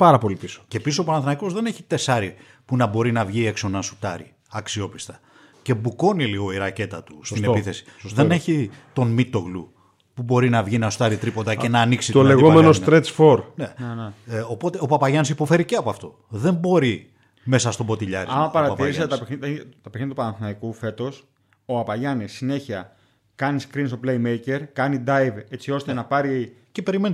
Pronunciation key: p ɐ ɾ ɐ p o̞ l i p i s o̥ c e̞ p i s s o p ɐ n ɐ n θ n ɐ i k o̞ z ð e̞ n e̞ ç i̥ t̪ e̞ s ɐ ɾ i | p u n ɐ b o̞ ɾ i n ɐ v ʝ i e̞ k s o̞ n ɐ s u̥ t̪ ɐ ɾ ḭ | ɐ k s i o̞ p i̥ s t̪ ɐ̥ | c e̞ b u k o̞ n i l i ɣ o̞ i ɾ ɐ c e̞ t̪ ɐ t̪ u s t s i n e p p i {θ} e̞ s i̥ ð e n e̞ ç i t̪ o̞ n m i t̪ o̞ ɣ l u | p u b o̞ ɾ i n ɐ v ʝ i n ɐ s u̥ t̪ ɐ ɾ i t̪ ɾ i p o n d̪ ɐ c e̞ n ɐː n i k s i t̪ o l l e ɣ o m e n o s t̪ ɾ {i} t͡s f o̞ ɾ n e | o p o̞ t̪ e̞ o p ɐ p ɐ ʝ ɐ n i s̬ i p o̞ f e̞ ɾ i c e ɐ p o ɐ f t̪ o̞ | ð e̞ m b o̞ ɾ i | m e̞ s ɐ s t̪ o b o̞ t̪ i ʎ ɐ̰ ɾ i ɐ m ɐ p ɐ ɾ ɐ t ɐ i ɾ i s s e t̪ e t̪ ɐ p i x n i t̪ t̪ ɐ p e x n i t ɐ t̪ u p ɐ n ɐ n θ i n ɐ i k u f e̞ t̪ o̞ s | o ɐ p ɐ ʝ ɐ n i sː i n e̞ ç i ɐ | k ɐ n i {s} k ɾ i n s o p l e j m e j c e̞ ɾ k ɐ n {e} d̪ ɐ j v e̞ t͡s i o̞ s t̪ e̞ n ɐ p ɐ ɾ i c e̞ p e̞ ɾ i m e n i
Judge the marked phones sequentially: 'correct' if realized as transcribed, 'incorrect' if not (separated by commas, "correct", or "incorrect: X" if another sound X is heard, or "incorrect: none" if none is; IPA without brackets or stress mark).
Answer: correct, incorrect: e, correct, incorrect: i